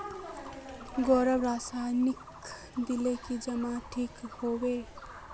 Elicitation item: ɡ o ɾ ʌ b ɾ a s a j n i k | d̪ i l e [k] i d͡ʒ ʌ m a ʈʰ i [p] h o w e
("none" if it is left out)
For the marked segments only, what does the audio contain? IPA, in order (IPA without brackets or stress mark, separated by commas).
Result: k, k